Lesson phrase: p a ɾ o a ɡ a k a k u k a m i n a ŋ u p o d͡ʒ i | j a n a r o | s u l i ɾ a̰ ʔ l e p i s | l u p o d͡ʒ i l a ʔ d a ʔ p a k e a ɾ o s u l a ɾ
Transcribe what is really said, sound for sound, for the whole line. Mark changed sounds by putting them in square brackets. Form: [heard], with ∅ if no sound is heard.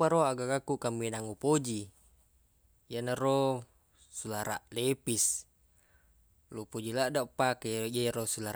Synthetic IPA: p a ɾ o a ɡ a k a k u k a m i n a ŋ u p o d͡ʒ i | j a n a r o | s u l [a] ɾ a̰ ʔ l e p i s | l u p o d͡ʒ i l a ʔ d a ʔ p a k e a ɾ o s u l a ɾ